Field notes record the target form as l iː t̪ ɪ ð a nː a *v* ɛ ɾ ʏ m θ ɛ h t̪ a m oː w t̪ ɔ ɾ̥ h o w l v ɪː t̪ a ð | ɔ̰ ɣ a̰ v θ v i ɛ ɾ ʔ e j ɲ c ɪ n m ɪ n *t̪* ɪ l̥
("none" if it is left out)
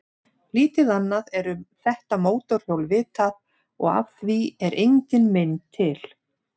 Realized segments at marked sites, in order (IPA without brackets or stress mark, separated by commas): ð, t̪ʰ